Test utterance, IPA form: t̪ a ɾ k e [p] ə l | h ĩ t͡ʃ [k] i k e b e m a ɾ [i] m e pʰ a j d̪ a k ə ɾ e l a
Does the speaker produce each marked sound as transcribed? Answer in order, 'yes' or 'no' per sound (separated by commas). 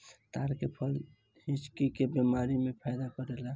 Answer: no, yes, yes